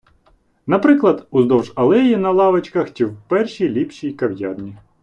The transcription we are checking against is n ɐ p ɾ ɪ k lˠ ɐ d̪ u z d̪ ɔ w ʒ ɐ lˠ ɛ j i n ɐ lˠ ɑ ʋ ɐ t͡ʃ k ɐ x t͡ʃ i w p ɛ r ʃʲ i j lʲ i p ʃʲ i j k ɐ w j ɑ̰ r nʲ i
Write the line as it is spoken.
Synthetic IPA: n ɐ p ɾ ɪ k lˠ ɐ d̪ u z d̪ ɔ w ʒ ɐ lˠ ɛ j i n ɐ lˠ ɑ ʋ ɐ t͡ʃ k ɐ x t͡ʃ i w p ɛ r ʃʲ i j lʲ i p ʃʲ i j k ɐ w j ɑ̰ r nʲ i